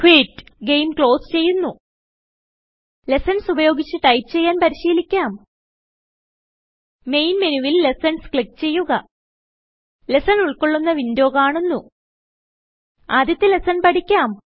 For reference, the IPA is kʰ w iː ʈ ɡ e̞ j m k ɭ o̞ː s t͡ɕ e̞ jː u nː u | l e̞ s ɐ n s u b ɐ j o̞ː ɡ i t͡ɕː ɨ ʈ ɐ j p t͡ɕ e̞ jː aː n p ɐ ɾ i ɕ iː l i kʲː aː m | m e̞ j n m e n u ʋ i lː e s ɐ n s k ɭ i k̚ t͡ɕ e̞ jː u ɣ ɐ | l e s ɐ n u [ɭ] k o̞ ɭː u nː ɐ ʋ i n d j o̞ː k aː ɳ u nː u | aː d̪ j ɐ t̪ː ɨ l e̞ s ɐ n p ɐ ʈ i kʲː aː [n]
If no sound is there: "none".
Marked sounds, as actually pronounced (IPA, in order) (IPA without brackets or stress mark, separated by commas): ɭ, m